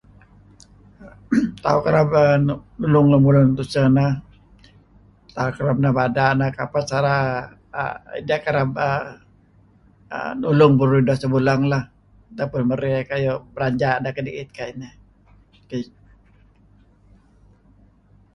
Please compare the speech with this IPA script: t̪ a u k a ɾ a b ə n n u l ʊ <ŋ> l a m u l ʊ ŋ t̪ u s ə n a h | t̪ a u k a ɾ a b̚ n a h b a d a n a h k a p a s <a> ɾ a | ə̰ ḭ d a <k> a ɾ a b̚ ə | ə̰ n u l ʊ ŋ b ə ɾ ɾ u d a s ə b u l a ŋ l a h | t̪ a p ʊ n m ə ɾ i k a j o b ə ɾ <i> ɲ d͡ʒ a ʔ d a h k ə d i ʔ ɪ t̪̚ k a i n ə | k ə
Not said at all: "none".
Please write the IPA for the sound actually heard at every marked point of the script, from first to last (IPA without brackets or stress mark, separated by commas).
ŋ, a, k, a